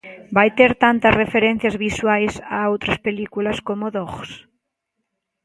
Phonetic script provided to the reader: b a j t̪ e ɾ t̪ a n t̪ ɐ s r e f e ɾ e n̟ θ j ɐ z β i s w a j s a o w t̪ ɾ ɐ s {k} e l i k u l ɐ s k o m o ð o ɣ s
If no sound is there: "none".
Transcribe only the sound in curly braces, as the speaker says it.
p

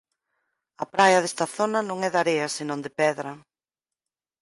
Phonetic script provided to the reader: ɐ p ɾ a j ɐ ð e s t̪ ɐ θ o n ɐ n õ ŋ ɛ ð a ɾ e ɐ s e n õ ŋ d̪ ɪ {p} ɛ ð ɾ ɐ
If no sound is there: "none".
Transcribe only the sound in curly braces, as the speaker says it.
p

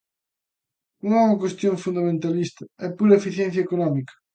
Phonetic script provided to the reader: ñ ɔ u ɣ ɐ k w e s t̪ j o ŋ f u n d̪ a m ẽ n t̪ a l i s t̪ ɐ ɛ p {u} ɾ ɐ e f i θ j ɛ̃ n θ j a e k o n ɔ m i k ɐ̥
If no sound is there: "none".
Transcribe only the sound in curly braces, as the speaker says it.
u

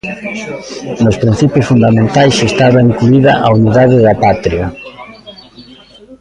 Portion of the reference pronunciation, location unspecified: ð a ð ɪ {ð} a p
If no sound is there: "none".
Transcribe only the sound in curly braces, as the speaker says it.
ð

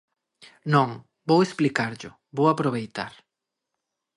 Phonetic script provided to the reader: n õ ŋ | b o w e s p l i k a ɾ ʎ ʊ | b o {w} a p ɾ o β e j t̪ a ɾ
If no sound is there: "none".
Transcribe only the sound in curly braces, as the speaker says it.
w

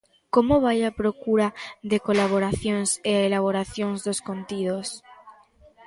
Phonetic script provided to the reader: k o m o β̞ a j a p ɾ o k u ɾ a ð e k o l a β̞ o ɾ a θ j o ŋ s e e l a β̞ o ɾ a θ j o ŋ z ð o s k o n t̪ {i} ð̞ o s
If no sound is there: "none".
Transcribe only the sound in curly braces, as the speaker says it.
i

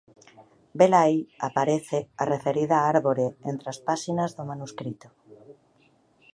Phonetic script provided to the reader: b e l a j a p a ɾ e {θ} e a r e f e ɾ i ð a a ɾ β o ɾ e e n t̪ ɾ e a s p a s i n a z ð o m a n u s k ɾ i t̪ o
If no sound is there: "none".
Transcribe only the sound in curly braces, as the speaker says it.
θ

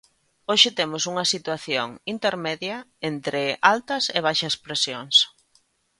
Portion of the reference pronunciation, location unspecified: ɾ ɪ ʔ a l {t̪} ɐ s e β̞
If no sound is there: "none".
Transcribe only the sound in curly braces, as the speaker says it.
t̪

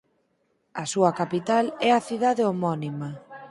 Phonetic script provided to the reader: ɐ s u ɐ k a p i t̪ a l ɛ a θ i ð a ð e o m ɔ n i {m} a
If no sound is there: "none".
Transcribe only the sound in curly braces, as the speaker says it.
m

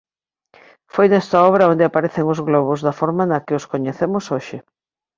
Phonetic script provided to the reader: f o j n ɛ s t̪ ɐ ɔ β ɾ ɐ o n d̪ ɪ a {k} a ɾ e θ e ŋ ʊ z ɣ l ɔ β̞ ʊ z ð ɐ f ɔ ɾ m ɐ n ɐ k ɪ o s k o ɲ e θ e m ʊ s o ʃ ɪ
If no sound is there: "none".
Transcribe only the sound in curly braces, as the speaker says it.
p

